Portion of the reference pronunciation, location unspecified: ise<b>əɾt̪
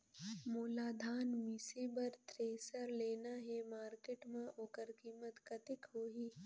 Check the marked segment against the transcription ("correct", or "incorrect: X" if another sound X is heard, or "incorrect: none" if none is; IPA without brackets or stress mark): correct